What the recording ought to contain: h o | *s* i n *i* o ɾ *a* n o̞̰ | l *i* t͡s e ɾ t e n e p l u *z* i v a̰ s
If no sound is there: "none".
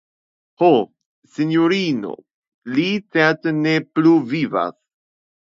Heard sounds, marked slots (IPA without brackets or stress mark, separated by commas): s, j, i, i, v